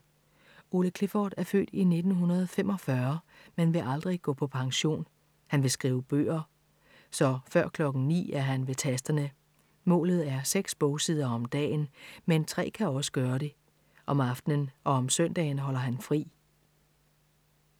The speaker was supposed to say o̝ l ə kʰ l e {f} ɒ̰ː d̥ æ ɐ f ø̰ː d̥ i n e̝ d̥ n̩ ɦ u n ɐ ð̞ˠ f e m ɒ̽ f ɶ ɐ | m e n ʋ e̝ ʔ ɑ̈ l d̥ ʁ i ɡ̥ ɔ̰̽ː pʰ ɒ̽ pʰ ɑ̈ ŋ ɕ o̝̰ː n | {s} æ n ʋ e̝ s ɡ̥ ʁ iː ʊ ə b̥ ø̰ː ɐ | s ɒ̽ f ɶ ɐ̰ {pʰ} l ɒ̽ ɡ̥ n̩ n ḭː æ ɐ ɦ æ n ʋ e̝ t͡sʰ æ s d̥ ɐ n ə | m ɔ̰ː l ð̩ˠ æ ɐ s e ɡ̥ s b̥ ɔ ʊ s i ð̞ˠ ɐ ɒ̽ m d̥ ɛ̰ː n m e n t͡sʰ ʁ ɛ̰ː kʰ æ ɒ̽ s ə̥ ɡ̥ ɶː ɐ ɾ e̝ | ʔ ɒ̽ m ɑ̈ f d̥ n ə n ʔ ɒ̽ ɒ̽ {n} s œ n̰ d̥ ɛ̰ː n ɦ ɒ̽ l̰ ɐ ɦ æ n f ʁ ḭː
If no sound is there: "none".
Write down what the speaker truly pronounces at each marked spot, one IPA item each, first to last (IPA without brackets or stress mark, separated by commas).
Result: f, h, kʰ, m